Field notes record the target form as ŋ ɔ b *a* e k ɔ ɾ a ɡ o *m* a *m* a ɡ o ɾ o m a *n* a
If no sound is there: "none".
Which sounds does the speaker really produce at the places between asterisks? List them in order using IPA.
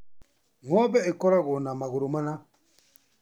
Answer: ɛ, n, m, n

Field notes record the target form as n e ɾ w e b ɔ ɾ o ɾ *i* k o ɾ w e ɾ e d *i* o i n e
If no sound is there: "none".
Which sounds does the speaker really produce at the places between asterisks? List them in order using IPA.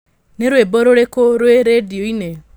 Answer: e, i

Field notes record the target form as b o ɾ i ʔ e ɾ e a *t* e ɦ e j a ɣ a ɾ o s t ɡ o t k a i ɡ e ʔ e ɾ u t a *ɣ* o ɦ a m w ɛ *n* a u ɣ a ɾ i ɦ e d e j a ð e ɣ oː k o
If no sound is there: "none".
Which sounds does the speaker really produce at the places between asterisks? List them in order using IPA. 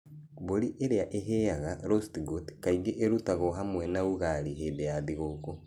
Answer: ʔ, ɣ, n

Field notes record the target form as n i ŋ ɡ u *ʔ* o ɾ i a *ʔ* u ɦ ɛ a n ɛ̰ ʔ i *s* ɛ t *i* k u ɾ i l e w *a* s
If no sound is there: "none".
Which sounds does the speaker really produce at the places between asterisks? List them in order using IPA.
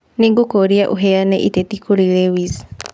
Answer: k, ʔ, t, i, i

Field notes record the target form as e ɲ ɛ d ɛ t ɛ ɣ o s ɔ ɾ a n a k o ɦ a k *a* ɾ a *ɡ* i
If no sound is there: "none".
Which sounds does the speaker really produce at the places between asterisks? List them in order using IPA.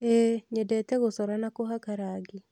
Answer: a, ɡ

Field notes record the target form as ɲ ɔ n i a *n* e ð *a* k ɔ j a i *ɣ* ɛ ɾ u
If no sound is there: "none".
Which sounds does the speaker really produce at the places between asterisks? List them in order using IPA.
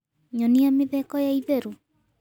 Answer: m, ɛ, ð

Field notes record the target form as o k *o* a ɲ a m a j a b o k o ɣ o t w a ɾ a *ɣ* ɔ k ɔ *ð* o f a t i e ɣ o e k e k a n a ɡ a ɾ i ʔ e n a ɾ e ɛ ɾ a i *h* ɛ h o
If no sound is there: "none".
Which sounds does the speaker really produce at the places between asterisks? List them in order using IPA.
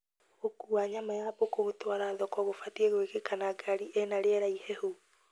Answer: u, ð, ɣ, h

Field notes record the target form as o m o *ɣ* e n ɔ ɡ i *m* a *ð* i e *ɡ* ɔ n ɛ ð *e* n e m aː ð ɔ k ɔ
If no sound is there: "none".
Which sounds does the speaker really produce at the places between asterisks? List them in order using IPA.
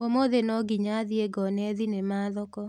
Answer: ð, ɲ, ð, ɡ, i

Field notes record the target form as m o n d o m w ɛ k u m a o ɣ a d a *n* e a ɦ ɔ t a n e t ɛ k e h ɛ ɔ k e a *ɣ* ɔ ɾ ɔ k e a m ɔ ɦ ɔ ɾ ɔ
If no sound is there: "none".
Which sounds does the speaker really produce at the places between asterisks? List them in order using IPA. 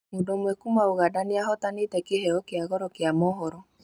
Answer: n, ɣ

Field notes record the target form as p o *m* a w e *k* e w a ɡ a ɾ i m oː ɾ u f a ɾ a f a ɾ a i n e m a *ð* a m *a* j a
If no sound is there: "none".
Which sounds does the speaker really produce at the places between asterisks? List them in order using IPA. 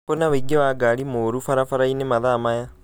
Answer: n, ɡ, ð, a

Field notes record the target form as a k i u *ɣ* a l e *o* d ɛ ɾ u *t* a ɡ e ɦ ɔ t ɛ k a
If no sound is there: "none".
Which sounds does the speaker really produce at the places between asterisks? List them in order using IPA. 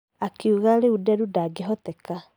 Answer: ɣ, u, d

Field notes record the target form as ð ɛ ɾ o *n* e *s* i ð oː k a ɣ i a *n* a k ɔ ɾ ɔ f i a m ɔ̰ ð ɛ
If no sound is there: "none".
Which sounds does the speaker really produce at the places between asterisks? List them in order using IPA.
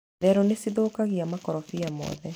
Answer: n, s, m

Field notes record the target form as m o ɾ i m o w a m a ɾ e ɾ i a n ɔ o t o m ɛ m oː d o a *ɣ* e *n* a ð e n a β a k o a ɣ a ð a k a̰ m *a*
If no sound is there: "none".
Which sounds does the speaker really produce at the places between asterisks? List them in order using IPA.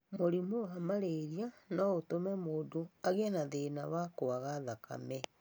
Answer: ɣ, n, ɛ

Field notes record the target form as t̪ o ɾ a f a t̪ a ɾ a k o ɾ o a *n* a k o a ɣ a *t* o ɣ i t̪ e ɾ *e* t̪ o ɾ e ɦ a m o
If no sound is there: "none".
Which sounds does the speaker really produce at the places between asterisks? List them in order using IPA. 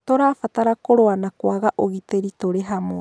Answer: n, ʔ, i

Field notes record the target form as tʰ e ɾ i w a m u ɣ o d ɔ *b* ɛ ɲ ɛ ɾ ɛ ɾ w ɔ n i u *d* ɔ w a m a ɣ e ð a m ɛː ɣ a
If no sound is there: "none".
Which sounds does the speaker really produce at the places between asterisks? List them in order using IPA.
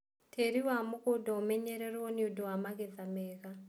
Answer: m, d

